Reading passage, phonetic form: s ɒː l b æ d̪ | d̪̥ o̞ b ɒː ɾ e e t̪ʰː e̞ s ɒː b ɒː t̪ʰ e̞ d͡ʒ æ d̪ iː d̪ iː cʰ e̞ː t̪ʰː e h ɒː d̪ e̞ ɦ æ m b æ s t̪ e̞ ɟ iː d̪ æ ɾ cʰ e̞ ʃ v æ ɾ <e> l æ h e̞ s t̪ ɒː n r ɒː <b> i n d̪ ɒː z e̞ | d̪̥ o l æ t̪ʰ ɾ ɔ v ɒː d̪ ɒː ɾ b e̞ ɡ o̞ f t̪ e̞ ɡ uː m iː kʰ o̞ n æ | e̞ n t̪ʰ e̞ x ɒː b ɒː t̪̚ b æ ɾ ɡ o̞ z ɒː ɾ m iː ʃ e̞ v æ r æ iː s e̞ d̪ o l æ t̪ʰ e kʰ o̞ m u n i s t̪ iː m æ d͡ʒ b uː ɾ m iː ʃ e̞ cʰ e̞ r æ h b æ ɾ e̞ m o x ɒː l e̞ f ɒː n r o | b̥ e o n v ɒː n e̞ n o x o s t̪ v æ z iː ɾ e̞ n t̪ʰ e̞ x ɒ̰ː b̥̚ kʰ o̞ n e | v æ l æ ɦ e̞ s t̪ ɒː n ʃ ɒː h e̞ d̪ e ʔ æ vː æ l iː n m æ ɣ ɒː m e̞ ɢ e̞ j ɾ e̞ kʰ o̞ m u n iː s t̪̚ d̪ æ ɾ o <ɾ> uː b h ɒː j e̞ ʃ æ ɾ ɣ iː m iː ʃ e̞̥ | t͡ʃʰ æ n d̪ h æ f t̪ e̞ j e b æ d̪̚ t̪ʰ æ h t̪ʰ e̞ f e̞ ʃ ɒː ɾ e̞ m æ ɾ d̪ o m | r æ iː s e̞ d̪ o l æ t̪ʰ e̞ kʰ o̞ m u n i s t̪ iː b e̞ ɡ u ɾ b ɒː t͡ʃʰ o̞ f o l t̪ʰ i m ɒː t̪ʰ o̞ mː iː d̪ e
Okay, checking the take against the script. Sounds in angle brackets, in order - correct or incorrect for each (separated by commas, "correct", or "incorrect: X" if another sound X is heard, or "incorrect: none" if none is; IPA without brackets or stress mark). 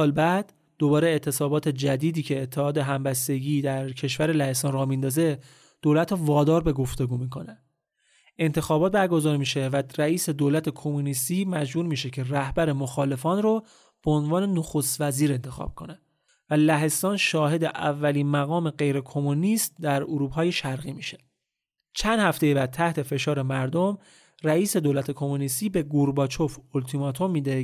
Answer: correct, incorrect: m, correct